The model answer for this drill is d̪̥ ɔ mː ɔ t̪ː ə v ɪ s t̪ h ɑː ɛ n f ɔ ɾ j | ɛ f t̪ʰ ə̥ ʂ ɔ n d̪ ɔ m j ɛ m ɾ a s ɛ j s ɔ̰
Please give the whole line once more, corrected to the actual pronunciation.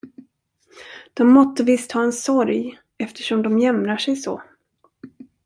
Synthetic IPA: d̪̥ ɔ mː ɔ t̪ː ə v ɪ s t̪ h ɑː ɛ n s ɔ ɾ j | ɛ f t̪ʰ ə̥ ʂ ɔ m d̪ ɔ m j ɛ m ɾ a ʂ ɛ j s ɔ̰